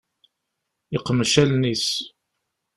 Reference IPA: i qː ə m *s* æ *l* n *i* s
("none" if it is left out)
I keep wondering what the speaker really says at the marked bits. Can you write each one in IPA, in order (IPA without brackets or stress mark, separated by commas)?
ʃ, l, i